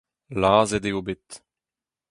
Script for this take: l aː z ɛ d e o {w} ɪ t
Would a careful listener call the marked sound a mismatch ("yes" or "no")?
yes